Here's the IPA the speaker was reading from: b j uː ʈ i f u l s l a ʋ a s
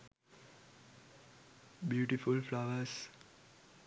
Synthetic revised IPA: b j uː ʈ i f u l f l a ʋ ə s